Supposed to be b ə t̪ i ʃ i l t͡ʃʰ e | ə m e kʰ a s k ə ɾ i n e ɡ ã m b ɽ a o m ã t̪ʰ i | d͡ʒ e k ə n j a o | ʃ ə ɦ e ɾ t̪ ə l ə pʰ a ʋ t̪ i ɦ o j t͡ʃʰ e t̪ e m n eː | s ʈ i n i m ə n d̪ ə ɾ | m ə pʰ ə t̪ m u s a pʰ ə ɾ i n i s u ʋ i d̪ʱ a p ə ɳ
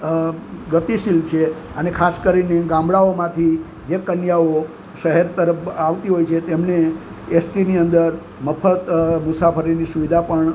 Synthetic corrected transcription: ɡ ə t̪ i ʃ i l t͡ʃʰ e | ə n e kʰ a s k ə ɾ i n e ɡ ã m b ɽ a o m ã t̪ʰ i | d͡ʒ e k ə n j a o | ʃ ə ɦ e ɾ t̪ ə ɾ ə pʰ a ʋ t̪ i ɦ o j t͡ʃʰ e t̪ e m n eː | s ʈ i n i ə n d̪ ə ɾ | m ə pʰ ə t̪ m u s a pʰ ə ɾ i n i s u ʋ i d̪ʱ a p ə ɳ

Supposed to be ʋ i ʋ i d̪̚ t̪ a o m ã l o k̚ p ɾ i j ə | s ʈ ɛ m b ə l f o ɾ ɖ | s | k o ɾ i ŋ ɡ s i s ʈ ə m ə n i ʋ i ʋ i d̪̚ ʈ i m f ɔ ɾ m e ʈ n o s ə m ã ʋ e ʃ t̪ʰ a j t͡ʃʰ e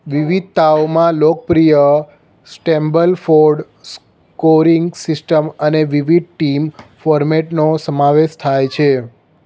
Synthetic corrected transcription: ʋ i ʋ i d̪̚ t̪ a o m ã l o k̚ p ɾ i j ə | s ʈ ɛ m b ə l f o ɾ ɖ | s | k o ɾ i ŋ ɡ s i s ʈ ə m ə n e ʋ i ʋ i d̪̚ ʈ i m f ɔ ɾ m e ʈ n o s ə m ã ʋ e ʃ t̪ʰ a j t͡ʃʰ e

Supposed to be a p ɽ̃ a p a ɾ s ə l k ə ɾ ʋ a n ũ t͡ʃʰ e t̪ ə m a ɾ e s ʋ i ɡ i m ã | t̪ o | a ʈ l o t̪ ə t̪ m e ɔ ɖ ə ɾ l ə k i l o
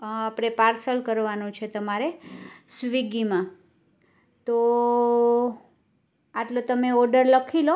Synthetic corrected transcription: a p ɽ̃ e p a ɾ s ə l k ə ɾ ʋ a n ũ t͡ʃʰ e t̪ ə m a ɾ e s ʋ i ɡ i m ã | t̪ o | a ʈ l o t̪ ə m e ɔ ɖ ə ɾ l ə kʰ i l o

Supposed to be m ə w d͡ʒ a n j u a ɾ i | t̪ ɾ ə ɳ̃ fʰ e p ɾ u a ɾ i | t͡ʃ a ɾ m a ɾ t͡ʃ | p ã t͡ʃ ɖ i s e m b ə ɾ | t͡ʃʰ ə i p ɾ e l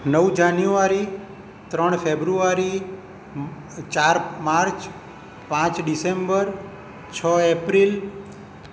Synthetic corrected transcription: n ə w d͡ʒ a n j u a ɾ i | t̪ ɾ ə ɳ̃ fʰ e b ɾ u a ɾ i | t͡ʃ a ɾ m a ɾ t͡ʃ | p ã t͡ʃ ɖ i s e m b ə ɾ | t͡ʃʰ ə e p ɾ i l

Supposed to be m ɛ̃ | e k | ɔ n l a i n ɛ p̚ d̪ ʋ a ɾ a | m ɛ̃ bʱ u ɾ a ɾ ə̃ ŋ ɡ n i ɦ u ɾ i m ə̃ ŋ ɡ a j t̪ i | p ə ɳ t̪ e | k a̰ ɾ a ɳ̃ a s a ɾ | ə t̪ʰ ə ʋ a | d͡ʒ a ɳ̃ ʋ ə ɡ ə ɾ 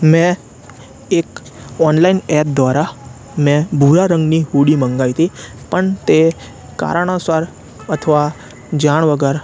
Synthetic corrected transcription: m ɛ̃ | e k | ɔ n l a i n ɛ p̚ d̪ ʋ a ɾ a | m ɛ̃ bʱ u ɾ a ɾ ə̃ ŋ ɡ n i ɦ u ɽ i m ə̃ ŋ ɡ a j t̪ i | p ə ɳ t̪ e | k a̰ ɾ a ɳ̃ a s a ɾ | ə t̪ʰ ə ʋ a | d͡ʒ a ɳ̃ ʋ ə ɡ ə ɾ

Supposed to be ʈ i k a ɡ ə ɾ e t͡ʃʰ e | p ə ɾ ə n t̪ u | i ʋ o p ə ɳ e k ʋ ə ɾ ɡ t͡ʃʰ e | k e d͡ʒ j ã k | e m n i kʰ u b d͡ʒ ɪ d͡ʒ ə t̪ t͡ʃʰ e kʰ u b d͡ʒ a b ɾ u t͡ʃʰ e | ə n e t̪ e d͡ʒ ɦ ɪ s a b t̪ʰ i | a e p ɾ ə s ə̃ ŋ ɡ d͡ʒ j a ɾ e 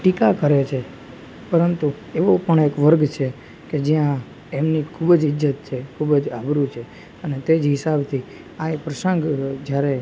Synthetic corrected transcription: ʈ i k a k ə ɾ e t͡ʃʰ e | p ə ɾ ə n t̪ u | e ʋ o p ə ɳ e k ʋ ə ɾ ɡ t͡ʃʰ e | k e d͡ʒ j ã | e m n i kʰ u b d͡ʒ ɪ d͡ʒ ə t̪ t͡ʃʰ e kʰ u b d͡ʒ a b ɾ u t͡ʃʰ e | ə n e t̪ e d͡ʒ ɦ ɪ s a b t̪ʰ i | a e p ɾ ə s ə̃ ŋ ɡ d͡ʒ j a ɾ e

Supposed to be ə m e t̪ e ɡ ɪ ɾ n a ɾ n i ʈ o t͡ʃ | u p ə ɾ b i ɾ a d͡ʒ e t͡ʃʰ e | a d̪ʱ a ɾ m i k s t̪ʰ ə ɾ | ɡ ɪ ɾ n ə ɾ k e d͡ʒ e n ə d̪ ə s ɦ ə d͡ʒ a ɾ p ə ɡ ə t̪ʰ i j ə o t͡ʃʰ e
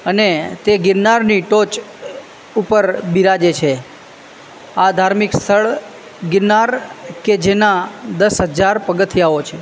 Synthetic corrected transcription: ə n e t̪ e ɡ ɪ ɾ n a ɾ n i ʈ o t͡ʃ | u p ə ɾ b i ɾ a d͡ʒ e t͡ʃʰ e | a d̪ʱ a ɾ m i k s t̪ʰ ə ɭ | ɡ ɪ ɾ n a ɾ k e d͡ʒ e n a d̪ ə s ɦ ə d͡ʒ a ɾ p ə ɡ ə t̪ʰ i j a o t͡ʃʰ e

